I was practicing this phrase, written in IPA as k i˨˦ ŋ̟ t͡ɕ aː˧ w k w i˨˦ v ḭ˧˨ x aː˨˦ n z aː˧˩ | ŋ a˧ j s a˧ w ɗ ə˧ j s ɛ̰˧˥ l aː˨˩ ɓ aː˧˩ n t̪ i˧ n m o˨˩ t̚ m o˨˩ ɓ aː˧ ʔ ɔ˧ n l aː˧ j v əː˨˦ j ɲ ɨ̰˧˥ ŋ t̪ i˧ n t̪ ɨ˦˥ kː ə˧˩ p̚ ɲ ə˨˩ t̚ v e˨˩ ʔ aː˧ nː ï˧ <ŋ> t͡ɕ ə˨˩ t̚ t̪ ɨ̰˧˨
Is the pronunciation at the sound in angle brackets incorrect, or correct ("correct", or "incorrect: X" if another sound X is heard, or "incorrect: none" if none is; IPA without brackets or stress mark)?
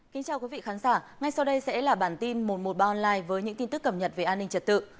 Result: correct